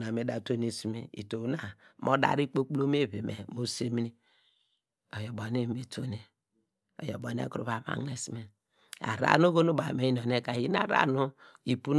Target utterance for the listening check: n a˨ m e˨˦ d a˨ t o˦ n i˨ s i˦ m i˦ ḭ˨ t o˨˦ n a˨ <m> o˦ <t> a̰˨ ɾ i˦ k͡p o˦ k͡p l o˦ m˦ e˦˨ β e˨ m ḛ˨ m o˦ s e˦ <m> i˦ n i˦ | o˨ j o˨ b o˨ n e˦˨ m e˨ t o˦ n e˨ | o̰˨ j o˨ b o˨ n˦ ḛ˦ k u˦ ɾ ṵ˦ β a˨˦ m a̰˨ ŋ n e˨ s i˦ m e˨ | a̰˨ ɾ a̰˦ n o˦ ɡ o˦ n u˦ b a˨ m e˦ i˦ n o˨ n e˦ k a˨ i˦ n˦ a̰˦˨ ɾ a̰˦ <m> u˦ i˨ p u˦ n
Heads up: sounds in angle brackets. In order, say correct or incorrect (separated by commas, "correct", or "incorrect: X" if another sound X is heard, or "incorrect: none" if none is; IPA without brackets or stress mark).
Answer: correct, incorrect: d, correct, incorrect: n